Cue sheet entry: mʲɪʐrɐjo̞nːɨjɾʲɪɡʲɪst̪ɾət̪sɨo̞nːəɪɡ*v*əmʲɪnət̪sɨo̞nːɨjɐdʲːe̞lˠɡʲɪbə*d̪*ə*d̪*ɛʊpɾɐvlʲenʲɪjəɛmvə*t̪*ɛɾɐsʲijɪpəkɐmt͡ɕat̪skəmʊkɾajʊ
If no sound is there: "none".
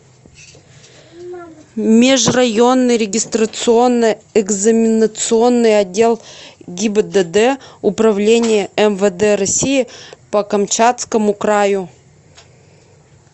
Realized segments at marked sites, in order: z, d̪, d̪, d̪

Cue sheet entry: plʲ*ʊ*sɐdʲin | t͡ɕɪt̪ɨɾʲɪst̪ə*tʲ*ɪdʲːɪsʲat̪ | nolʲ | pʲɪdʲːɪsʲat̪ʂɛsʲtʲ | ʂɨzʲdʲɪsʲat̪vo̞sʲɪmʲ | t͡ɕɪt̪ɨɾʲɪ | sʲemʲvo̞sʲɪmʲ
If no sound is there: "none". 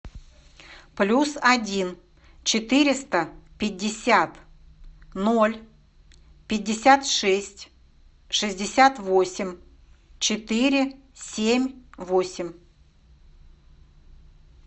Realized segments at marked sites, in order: u, pʲ

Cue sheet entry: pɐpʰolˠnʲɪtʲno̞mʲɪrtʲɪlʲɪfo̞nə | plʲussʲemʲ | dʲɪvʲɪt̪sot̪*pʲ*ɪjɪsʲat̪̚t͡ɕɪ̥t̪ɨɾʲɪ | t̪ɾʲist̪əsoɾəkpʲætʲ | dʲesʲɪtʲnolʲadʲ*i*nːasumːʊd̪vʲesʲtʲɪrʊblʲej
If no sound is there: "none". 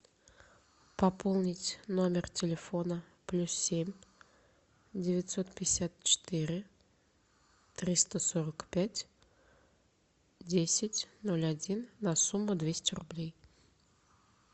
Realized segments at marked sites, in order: pʲ, i

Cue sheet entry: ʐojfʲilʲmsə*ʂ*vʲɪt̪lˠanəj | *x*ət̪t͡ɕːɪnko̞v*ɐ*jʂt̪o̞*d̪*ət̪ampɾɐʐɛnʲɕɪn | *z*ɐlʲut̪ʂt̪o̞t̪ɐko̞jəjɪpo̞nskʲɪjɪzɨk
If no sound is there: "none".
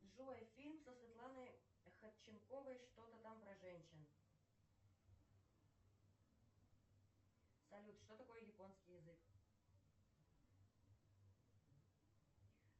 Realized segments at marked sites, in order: s, x, ə, t̪, s

